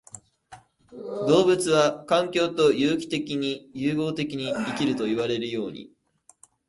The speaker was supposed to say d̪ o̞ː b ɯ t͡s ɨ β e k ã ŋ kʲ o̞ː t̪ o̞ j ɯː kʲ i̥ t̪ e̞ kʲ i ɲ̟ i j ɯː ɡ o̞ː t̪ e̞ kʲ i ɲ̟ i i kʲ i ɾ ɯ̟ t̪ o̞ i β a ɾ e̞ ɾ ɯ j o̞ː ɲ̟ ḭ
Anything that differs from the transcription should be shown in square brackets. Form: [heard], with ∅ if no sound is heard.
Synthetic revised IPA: d̪ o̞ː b ɯ t͡s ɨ β [a] k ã ŋ kʲ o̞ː t̪ o̞ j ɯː kʲ i̥ t̪ e̞ kʲ i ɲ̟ i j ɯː ɡ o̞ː t̪ e̞ kʲ i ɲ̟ i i kʲ i ɾ ɯ̟ t̪ o̞ i β a ɾ e̞ ɾ ɯ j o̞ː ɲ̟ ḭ